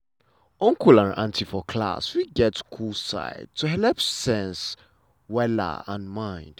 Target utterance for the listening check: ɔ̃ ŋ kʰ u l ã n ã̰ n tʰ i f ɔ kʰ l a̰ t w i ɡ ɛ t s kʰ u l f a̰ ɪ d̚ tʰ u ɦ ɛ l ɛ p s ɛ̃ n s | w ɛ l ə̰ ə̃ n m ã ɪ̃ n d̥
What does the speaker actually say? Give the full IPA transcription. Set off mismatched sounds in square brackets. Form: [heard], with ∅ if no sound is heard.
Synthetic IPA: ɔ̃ ŋ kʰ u l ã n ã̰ n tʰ i f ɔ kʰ l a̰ [s] w i ɡ ɛ t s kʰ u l [s] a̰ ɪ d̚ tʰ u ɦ ɛ l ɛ p s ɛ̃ n s | w ɛ l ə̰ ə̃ n m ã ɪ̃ n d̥